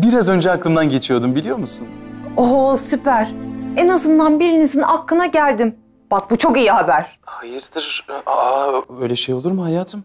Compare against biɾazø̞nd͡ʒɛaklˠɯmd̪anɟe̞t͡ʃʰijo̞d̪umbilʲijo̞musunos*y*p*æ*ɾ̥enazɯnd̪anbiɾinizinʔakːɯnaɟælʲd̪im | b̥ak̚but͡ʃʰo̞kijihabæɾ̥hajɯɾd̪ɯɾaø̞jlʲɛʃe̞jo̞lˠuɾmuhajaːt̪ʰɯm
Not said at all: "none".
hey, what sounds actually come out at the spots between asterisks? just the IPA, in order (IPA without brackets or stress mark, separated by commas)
y, æ